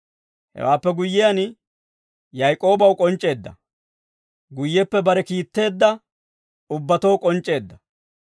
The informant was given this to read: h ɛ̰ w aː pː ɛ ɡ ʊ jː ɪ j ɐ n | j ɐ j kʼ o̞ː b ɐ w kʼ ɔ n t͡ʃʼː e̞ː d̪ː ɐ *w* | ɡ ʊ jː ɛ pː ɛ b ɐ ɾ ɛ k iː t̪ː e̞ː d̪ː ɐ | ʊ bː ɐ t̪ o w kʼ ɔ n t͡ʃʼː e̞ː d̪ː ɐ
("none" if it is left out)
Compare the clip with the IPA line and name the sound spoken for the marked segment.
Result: none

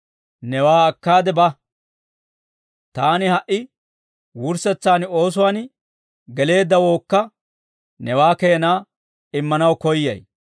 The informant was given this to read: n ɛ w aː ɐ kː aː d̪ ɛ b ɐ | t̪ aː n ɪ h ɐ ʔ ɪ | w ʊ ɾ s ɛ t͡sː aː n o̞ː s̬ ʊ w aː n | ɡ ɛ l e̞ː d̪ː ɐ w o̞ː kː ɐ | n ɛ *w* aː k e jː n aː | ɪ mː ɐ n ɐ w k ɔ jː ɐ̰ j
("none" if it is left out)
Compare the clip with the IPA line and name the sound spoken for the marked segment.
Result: w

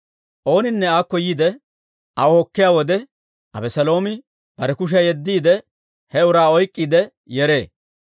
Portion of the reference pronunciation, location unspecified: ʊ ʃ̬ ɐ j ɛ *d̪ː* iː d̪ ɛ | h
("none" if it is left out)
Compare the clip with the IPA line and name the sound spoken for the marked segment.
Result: d̪ː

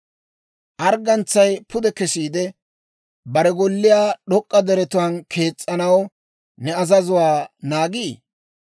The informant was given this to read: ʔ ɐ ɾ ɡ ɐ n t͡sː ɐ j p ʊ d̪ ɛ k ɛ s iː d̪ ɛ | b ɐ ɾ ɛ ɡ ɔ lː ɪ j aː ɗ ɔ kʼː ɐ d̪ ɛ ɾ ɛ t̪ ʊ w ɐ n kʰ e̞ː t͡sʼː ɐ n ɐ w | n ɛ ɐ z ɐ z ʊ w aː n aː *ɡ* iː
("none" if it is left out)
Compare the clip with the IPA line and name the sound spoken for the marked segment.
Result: ɡ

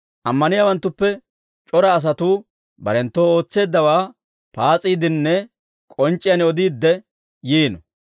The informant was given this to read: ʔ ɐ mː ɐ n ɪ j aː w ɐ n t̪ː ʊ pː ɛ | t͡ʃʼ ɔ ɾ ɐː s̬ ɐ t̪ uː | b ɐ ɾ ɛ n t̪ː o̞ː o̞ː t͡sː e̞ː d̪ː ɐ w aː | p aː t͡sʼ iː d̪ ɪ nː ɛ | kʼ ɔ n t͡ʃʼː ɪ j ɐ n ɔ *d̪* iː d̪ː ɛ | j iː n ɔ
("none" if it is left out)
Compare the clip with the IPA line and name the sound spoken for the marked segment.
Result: d̪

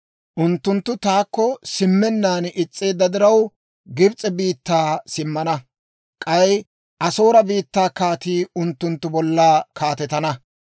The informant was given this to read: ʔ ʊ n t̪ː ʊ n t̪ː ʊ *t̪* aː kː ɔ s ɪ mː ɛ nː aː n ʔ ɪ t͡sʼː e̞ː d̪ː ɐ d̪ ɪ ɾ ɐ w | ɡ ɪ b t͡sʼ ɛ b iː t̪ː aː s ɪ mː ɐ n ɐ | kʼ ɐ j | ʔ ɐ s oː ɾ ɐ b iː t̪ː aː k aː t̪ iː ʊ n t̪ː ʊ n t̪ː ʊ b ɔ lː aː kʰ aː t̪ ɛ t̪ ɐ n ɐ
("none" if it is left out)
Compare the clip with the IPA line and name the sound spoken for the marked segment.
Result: t̪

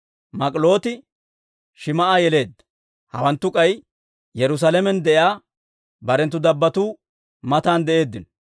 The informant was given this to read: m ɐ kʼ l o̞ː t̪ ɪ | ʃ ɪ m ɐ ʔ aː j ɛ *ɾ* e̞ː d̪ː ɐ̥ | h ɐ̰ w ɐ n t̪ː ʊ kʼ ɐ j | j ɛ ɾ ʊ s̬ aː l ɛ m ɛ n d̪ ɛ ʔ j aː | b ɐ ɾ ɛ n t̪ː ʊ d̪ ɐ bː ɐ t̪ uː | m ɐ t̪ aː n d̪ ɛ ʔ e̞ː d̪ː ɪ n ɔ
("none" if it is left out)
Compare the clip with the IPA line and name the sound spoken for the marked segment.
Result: l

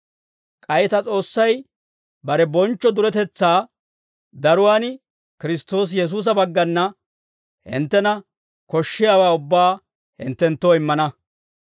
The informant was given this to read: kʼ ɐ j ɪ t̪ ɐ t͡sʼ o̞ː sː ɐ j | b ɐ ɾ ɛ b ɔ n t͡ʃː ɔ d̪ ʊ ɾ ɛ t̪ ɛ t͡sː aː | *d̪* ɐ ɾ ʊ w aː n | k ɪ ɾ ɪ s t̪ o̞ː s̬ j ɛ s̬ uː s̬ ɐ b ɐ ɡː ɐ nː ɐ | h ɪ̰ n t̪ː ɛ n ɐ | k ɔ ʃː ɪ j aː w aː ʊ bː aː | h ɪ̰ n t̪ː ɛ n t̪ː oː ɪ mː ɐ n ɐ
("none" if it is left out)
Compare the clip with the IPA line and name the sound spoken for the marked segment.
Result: d̪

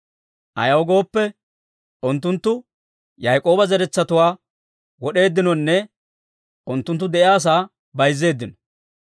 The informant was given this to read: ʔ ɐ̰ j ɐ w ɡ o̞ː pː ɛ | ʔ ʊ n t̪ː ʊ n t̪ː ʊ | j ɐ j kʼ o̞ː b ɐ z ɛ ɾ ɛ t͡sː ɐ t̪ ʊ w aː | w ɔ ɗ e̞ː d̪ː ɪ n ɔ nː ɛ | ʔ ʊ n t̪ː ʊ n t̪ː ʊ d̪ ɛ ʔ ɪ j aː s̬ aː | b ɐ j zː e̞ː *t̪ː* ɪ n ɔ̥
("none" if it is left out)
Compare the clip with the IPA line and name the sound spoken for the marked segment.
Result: d̪ː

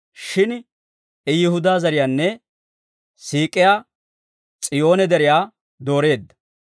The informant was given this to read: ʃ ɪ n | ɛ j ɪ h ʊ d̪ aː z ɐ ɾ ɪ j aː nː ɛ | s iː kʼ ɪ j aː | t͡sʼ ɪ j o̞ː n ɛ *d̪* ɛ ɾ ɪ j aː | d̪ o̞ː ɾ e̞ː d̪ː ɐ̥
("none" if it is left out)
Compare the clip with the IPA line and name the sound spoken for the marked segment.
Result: d̪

